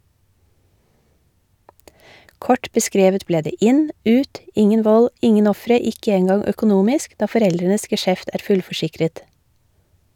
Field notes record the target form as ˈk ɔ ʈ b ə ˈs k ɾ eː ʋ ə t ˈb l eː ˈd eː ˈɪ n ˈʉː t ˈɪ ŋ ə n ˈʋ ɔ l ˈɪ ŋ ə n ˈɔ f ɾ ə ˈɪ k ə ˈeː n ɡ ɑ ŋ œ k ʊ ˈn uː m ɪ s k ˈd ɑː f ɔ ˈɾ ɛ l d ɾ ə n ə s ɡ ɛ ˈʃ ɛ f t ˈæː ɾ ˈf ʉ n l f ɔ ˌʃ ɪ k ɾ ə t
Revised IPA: ˈk ɔ ʈ b ə ˈs k ɾ eː ʋ ə t ˈb l eː ˈd eː ˈɪ n ˈʉː t ˈɪ ŋ ə n ˈʋ ɔ l ˈɪ ŋ ə n ˈɔ f ɾ ə ˈɪ k ə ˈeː n ɡ ɑ ŋ œ k ʊ ˈn uː m ɪ s k ˈd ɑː f ɔ ˈɾ ɛ l d ɾ ə n ə s ɡ ɛ ˈʃ ɛ f t ˈæː ɾ ˈf ʉ l f ɔ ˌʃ ɪ k ɾ ə t